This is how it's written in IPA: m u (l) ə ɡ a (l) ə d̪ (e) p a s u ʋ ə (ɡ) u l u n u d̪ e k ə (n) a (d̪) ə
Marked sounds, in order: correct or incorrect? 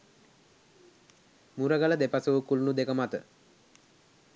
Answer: incorrect: ɾ, correct, correct, incorrect: k, incorrect: m, incorrect: t̪

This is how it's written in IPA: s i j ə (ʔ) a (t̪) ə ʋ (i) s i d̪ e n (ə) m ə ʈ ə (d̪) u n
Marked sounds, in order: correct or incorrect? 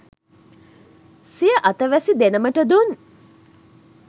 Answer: correct, correct, incorrect: æ, correct, correct

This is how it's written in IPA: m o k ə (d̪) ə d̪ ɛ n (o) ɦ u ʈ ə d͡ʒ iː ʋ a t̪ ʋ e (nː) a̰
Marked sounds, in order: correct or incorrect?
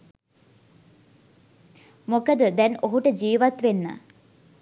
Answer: correct, correct, correct

